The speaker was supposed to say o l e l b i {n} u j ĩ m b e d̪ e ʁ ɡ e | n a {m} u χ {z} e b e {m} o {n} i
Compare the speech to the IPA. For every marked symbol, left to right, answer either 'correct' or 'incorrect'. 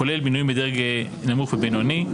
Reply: correct, correct, incorrect: v, incorrect: n, correct

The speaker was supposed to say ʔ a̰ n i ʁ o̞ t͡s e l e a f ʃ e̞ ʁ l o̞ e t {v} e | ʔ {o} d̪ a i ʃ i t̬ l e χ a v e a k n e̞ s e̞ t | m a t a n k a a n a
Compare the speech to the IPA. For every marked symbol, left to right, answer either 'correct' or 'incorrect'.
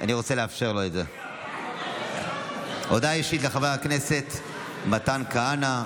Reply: incorrect: z, correct

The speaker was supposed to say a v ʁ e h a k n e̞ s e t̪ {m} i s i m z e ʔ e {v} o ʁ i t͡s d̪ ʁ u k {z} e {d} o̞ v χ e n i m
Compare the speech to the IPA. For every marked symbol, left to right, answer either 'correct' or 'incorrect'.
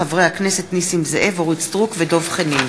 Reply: incorrect: n, correct, incorrect: v, correct

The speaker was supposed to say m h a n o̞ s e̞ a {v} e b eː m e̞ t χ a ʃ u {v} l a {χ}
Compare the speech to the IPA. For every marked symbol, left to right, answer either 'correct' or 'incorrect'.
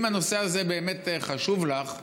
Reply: incorrect: z, correct, correct

